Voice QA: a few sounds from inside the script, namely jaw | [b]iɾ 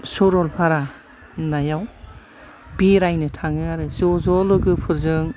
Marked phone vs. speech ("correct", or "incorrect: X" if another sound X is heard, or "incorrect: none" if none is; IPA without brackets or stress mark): correct